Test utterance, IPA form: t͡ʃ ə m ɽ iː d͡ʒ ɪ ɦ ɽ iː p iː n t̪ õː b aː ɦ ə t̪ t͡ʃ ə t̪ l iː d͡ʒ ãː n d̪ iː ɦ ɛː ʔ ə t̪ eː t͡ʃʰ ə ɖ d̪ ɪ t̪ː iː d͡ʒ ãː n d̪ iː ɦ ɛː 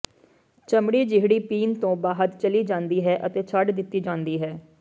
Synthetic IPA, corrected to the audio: t͡ʃ ə m ɽ iː d͡ʒ ɪ ɦ ɽ iː p iː n t̪ õː b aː ɦ ə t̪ t͡ʃ ə l iː d͡ʒ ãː n d̪ iː ɦ ɛː ʔ ə t̪ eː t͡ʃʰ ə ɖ d̪ ɪ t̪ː iː d͡ʒ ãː n d̪ iː ɦ ɛː